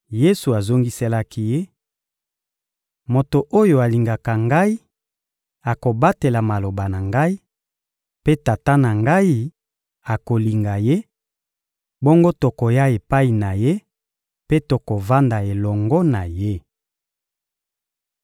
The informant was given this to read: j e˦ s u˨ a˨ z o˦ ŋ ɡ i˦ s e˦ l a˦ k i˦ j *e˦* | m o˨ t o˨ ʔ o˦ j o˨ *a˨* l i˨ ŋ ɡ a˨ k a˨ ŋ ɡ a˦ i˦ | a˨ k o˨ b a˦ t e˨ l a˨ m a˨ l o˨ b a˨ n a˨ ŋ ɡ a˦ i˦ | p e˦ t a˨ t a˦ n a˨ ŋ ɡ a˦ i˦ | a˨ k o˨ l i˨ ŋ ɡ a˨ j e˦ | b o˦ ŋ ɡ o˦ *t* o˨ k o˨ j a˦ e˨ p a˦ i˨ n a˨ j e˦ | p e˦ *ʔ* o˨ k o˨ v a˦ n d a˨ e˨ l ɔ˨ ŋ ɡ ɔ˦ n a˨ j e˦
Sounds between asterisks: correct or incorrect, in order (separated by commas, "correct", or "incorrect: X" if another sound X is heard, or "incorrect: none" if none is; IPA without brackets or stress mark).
correct, correct, correct, incorrect: t